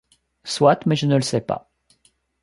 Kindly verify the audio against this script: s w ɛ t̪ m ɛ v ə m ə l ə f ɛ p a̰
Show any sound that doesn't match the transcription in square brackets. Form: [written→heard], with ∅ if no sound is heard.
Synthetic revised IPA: s w [ɛ→a] t̪ m ɛ [v→ʒ] ə [m→n] ə l ə [f→s] ɛ p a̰